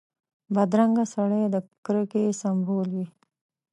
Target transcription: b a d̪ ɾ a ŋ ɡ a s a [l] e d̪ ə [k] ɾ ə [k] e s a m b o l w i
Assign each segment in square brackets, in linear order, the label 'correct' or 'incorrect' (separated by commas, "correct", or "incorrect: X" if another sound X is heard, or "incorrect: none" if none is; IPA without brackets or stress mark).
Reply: incorrect: ɽ, correct, correct